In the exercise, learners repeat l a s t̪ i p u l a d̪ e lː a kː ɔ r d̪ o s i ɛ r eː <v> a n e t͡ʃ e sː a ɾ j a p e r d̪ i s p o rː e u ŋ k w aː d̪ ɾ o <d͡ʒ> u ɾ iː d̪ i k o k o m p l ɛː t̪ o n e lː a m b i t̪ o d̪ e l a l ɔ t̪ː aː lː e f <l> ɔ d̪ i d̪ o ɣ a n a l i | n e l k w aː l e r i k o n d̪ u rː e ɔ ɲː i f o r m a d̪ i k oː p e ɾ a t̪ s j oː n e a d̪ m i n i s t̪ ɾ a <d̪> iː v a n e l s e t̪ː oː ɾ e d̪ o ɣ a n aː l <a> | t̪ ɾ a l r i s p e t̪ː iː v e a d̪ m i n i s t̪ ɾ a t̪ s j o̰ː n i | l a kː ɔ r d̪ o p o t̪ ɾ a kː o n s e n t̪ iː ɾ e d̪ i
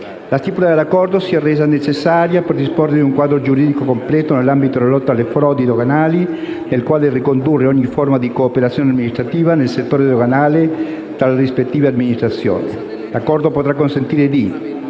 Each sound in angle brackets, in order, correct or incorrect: incorrect: z, correct, incorrect: ɾ, incorrect: t̪, incorrect: e

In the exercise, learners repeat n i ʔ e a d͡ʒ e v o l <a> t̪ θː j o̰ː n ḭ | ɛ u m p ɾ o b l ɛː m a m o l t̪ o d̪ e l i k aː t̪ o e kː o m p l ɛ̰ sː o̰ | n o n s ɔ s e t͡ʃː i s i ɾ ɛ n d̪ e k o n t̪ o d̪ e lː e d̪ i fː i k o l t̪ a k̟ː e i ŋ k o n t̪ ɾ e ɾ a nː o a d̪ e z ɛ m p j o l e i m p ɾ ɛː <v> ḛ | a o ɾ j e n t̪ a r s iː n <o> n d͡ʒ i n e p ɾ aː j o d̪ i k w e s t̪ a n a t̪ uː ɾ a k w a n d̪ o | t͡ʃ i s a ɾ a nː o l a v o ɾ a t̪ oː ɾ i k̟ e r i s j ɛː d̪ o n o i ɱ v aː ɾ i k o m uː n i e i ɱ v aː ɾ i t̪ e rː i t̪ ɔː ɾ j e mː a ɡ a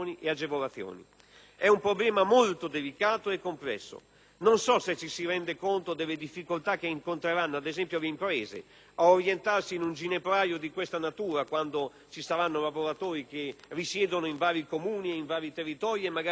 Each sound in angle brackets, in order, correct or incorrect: correct, incorrect: z, incorrect: u

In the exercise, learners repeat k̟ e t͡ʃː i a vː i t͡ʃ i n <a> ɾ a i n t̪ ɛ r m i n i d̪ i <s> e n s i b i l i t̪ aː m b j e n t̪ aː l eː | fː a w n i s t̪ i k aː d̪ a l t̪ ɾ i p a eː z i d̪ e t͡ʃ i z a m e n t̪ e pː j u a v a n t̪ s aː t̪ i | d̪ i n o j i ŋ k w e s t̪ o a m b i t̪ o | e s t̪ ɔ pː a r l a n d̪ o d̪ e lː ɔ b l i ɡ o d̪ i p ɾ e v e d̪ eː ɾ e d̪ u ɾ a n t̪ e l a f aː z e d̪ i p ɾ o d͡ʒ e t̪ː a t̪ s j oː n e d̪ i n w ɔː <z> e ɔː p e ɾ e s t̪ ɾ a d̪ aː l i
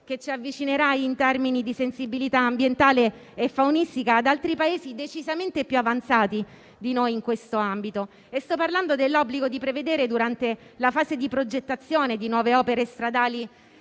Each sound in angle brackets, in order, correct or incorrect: incorrect: e, correct, incorrect: v

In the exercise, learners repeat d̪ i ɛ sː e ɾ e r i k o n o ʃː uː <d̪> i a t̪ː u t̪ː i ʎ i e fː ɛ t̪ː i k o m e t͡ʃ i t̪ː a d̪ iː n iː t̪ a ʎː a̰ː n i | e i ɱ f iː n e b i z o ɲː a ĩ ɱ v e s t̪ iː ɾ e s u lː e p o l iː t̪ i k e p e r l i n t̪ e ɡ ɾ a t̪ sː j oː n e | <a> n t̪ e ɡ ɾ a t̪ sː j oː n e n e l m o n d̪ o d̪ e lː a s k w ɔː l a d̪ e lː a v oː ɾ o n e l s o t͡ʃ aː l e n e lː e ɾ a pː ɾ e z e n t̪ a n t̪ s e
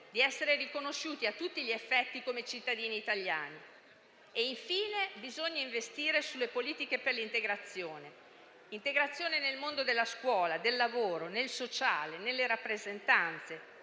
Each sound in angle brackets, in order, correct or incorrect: incorrect: t̪, incorrect: i

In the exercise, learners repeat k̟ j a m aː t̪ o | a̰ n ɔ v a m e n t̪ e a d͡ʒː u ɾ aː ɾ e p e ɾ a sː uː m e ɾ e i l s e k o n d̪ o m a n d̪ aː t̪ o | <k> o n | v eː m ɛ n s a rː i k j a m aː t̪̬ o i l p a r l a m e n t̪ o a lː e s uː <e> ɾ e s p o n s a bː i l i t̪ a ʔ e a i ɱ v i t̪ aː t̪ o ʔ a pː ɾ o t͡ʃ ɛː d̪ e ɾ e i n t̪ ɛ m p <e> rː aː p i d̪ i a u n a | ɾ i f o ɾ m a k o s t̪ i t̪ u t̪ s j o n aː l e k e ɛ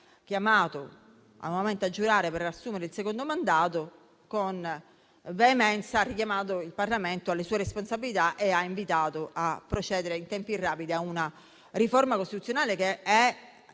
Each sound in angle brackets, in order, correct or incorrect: correct, correct, incorrect: i

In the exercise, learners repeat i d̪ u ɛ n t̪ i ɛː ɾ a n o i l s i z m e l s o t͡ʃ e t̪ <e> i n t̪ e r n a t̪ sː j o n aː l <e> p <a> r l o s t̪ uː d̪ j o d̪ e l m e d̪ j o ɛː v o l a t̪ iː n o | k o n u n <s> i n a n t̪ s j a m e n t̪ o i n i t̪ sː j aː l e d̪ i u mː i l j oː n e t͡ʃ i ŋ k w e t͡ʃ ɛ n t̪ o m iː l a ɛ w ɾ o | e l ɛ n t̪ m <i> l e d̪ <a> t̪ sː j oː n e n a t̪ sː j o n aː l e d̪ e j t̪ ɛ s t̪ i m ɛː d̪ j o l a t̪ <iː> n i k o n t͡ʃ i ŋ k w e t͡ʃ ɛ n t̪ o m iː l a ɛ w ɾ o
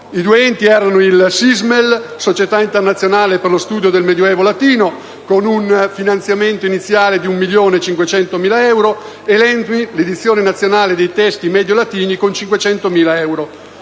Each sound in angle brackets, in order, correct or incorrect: incorrect: a, correct, incorrect: e, incorrect: f, correct, incorrect: i, correct

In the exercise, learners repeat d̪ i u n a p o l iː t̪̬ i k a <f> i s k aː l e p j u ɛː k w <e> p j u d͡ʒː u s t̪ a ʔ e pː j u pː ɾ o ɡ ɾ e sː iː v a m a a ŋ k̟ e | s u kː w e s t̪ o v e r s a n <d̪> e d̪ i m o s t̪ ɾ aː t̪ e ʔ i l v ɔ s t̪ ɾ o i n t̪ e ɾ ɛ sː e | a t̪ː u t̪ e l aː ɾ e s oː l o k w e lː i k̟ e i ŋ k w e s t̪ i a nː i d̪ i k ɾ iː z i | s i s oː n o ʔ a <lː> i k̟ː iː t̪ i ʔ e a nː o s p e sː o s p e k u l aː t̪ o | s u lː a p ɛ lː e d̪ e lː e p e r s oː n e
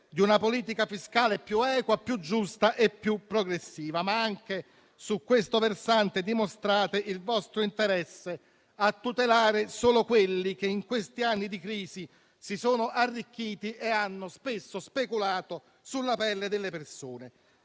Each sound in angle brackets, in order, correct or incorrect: correct, incorrect: a, incorrect: t̪, incorrect: rː

